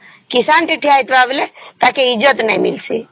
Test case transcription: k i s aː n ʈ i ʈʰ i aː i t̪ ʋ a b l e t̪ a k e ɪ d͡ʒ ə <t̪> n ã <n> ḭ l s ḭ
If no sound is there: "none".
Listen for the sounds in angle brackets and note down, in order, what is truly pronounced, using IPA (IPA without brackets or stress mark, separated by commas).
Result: t̪, m